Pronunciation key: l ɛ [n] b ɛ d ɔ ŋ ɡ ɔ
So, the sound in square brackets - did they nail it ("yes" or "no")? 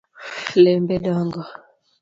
no